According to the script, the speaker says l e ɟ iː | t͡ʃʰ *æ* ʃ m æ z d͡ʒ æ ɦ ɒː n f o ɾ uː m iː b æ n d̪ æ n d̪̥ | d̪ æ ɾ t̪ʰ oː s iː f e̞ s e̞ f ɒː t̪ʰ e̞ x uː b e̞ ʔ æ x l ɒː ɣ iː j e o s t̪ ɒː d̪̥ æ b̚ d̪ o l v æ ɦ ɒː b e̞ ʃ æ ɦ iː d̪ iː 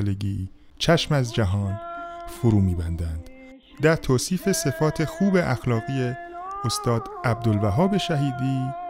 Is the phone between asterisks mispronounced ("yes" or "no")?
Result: no